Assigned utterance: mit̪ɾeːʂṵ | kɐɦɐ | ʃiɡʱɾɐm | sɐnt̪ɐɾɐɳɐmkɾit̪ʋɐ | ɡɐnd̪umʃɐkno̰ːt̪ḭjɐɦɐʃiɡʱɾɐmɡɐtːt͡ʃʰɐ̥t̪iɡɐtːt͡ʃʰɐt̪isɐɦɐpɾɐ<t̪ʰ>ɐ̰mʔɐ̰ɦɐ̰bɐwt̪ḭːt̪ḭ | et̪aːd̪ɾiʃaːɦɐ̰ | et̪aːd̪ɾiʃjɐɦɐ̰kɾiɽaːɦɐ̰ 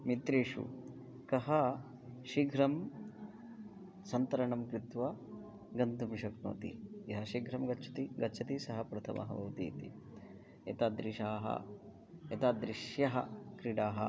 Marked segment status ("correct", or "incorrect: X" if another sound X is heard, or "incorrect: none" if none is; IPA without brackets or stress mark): correct